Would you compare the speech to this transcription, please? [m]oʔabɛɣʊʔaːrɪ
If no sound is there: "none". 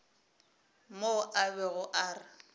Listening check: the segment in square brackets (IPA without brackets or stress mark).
m